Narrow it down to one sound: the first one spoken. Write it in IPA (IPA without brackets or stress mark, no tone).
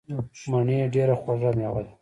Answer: m